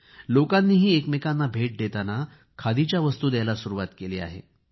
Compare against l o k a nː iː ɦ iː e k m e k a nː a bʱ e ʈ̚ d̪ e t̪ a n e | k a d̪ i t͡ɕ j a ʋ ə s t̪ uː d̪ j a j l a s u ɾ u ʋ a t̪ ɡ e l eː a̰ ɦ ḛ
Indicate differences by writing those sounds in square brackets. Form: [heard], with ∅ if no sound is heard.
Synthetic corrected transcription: l o k a nː iː ɦ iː e k m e k a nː a bʱ e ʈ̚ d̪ e t̪ a n [a] | [kʰ] a d̪ i t͡ɕ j a ʋ ə s t̪ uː d̪ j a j l a s u ɾ u ʋ a t̪ [k] e l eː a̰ ɦ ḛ